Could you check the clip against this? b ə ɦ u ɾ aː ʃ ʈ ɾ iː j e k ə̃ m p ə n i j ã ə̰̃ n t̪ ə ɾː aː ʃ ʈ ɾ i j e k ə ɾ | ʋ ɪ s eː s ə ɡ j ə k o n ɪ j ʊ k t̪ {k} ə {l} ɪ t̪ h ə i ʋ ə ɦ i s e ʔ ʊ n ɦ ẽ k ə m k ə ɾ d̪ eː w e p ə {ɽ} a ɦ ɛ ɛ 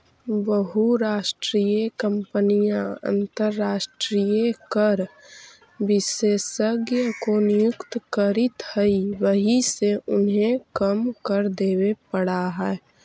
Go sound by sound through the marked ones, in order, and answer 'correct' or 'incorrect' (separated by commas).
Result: correct, incorrect, correct